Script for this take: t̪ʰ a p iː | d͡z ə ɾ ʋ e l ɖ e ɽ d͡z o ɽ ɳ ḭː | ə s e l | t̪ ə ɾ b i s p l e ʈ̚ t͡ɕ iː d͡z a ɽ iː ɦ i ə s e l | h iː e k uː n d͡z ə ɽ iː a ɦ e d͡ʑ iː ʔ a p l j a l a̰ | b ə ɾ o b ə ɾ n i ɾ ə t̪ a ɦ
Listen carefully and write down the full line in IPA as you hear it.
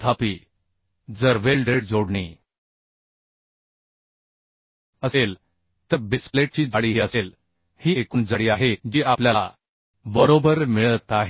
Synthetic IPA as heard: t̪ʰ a p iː | d͡z ə ɾ ʋ e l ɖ e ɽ d͡z o ɽ ɳ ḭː | ə s e l | t̪ ə ɾ b i s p l e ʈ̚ t͡ɕ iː d͡z a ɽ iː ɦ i ə s e l | h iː e k uː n d͡z ə ɽ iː a ɦ e d͡ʑ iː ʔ a p l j a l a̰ | b ə ɾ o b ə ɾ m i ɭ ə t̪ a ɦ